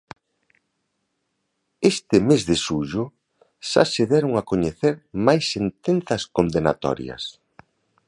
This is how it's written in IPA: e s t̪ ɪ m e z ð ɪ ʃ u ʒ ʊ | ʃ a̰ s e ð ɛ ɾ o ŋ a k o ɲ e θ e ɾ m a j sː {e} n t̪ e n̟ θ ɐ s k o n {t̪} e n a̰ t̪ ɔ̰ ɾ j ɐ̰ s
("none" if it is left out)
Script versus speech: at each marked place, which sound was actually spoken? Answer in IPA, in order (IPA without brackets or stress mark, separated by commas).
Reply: e, d̪